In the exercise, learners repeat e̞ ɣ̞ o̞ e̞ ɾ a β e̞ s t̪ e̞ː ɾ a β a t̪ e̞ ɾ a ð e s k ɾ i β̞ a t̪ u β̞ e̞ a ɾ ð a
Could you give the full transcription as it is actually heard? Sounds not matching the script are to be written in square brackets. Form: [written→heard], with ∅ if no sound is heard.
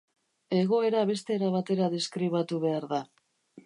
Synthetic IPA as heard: e̞ ɣ̞ o̞ e̞ ɾ a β e̞ s t̪ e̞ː ɾ a β a t̪ e̞ ɾ a ð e s k ɾ i β̞ a t̪ u β̞ e̞ a ɾ ð a